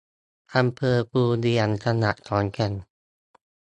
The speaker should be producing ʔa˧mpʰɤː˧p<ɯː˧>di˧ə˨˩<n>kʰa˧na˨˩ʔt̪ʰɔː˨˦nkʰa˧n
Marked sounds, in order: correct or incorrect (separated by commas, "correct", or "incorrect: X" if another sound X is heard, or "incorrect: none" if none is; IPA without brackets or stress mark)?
incorrect: uː˧, correct